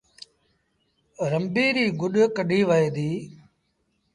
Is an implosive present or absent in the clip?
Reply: present